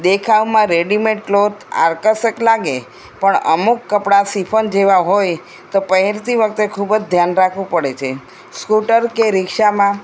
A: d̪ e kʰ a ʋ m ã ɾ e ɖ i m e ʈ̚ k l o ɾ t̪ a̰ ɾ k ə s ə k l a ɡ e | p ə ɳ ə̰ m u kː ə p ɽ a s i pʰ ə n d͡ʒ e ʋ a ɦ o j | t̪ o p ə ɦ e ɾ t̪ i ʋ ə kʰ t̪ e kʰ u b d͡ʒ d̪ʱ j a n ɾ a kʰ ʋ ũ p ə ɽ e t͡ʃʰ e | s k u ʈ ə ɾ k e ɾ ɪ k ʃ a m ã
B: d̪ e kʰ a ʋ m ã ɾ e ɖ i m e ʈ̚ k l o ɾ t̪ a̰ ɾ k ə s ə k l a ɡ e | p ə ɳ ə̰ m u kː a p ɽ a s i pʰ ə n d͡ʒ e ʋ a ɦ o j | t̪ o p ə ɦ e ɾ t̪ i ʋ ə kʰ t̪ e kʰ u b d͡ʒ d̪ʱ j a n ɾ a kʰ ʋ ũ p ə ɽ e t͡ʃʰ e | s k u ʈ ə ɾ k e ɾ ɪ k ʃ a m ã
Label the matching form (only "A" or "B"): A